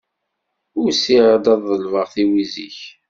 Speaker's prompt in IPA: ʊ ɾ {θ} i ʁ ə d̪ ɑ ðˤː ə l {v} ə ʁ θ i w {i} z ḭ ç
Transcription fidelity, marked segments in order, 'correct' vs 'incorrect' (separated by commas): incorrect, correct, correct